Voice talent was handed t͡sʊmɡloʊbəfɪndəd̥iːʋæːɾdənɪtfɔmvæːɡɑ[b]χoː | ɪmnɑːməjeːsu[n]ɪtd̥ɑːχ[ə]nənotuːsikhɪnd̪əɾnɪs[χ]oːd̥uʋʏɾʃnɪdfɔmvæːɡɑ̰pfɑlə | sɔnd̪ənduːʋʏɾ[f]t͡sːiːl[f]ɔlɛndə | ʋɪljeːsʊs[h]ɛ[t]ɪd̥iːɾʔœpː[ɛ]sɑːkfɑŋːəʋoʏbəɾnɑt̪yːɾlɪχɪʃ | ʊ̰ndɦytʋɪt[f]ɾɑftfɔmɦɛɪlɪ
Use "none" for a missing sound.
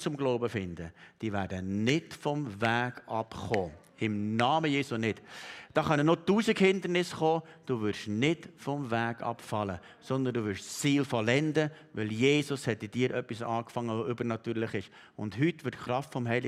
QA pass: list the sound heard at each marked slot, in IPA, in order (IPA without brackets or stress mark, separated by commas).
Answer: p, n, ɑ, χ, ʃ, f, h, t, i, χ